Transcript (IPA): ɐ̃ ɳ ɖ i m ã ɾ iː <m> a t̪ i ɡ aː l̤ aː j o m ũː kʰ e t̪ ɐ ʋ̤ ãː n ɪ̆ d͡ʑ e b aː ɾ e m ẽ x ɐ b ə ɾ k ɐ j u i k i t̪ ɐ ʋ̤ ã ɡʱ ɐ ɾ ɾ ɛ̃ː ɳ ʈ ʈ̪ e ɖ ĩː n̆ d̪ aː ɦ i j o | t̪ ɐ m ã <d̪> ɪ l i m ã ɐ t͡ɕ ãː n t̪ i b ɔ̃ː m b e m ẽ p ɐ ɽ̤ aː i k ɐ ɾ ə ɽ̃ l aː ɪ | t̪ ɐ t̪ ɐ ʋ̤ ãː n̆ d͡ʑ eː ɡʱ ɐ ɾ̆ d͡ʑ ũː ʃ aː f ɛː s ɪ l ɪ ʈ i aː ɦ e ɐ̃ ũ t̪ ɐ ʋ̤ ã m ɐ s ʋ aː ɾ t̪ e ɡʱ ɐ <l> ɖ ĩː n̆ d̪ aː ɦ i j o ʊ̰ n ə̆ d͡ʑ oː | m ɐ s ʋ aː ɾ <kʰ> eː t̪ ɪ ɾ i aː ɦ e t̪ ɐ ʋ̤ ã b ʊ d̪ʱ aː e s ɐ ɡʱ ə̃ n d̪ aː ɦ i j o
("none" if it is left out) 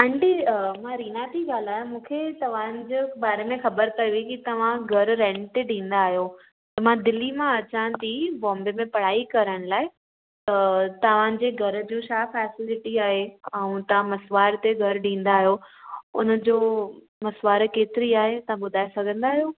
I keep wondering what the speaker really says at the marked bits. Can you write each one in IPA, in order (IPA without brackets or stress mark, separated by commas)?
n, d̪, ɾ, k